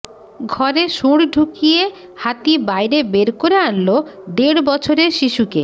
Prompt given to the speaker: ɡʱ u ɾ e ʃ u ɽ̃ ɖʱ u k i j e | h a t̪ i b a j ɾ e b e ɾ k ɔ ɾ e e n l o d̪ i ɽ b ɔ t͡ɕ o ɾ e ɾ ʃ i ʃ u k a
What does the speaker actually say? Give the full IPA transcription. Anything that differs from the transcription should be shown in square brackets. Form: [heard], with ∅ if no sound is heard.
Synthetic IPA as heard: ɡʱ [ɔ] ɾ e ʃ u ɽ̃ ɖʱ u k i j e | h a t̪ i b a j ɾ e b e ɾ k [o] ɾ e [a] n l o d̪ [e] ɽ b ɔ [t͡ɕʰ] o ɾ e ɾ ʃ i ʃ u k [e]